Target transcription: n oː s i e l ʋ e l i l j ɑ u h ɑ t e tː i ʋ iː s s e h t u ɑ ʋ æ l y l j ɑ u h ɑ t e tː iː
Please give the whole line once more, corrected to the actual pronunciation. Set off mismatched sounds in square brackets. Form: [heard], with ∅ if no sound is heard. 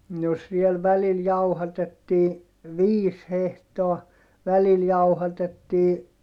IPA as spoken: n [o] s i e l ʋ [æ] l i l j ɑ u h ɑ t e tː [iː] ʋ iː s [h] e h t [o] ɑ ʋ æ l [i] l j ɑ u h ɑ t e tː iː